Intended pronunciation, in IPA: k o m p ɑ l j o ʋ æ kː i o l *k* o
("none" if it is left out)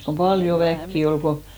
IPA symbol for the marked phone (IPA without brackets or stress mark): k